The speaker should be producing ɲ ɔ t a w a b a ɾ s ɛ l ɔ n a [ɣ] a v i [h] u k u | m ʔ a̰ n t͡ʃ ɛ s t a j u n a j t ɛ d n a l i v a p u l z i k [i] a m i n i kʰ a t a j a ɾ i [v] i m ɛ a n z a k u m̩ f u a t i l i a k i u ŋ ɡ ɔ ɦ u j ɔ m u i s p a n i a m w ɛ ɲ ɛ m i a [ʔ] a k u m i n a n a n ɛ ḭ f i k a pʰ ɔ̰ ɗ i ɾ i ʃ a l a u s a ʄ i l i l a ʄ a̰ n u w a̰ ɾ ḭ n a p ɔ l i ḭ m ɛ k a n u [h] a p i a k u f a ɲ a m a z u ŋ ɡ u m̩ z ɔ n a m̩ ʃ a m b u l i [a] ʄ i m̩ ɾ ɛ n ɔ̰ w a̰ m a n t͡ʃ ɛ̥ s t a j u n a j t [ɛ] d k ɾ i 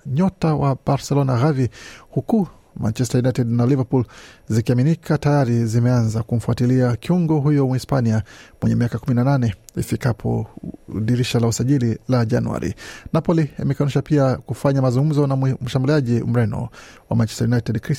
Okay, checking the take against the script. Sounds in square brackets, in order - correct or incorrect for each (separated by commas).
correct, correct, correct, incorrect, incorrect, incorrect, correct, correct